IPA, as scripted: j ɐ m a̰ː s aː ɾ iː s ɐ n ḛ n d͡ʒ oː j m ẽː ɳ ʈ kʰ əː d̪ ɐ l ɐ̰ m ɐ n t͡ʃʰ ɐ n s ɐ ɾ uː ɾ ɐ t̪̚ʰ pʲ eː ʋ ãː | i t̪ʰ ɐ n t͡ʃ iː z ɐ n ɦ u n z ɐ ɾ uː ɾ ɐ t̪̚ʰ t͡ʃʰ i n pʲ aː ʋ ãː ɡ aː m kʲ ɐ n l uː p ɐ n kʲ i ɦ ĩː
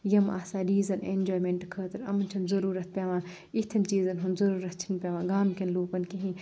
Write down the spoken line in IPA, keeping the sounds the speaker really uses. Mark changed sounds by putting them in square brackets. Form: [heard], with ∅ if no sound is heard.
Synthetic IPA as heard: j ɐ m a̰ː s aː ɾ iː [z] ɐ n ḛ n d͡ʒ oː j m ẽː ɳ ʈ kʰ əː [t̪] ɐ [ɾ] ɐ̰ m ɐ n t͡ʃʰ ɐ n [z] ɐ ɾ uː ɾ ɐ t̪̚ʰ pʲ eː ʋ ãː | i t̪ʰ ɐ n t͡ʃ iː z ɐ n ɦ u n z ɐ ɾ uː ɾ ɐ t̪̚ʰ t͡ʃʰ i n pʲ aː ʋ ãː ɡ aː m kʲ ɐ n l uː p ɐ n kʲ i ɦ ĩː